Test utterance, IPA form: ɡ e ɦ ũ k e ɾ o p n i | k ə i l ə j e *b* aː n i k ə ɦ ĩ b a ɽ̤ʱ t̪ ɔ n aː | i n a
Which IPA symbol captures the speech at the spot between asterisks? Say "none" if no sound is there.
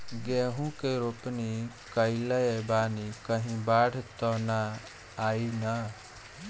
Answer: b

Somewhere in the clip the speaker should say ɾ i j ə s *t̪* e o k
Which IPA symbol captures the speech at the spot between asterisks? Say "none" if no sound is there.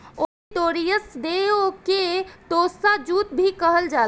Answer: d̪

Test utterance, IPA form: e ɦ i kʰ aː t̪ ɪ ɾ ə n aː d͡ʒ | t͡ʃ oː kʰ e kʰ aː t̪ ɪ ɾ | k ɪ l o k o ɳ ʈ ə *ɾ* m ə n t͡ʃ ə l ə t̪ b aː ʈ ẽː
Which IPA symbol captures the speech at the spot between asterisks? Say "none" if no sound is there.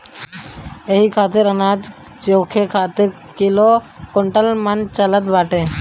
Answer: l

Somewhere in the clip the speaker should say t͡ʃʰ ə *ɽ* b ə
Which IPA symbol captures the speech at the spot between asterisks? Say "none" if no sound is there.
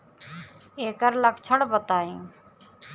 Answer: ɽ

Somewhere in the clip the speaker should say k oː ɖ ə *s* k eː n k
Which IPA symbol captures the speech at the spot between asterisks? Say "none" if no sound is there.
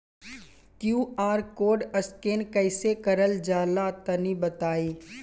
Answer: s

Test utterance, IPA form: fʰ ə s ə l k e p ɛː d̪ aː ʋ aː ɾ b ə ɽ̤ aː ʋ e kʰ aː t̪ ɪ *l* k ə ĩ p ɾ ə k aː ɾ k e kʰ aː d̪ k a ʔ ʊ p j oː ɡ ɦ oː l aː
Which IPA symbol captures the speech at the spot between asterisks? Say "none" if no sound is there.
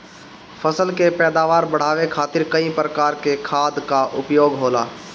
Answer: ɾ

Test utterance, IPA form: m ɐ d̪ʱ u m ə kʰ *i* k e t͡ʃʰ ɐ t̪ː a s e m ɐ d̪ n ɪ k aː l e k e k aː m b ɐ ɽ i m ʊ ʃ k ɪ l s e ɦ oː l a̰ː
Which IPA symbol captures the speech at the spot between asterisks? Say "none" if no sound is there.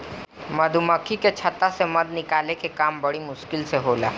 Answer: i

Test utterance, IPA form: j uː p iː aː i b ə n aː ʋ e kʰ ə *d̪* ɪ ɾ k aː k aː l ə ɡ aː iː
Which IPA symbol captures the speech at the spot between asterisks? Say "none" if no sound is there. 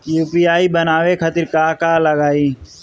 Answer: t̪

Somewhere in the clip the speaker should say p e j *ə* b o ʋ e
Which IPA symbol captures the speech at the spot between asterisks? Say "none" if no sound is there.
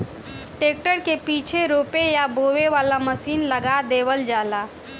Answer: a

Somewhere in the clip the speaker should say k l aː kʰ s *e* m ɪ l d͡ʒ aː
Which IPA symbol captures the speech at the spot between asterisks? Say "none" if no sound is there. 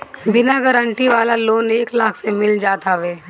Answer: e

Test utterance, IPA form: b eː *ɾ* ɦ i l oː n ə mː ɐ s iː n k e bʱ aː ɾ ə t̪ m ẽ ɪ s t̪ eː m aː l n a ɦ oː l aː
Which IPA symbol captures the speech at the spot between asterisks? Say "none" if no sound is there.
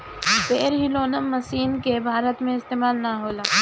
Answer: ɾ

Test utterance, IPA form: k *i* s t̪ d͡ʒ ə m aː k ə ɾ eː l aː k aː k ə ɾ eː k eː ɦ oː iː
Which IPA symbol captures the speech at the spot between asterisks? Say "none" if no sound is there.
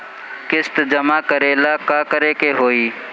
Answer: ɪ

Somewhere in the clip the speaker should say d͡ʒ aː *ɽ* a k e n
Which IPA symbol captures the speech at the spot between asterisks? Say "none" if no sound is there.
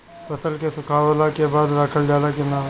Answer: l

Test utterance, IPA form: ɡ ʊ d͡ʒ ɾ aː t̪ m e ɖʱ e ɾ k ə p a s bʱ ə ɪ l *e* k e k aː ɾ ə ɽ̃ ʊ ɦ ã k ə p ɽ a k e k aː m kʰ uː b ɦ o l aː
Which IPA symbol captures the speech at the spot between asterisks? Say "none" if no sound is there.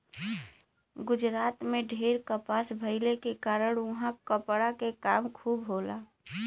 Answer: e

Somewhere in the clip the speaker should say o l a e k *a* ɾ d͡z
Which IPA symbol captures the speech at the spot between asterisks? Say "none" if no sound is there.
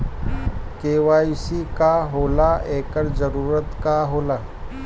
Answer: ə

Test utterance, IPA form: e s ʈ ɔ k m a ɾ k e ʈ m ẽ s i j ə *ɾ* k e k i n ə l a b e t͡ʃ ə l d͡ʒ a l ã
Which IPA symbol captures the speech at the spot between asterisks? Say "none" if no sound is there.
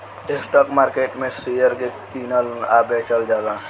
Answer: ɾ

